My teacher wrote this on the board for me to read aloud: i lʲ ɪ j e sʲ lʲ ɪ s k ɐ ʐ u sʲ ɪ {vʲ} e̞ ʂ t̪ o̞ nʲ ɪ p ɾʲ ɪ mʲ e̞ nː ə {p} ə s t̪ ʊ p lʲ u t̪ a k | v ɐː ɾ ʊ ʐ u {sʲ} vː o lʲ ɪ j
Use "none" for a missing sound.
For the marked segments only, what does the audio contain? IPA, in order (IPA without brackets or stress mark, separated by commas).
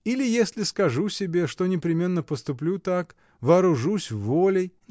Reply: bʲ, p, sʲ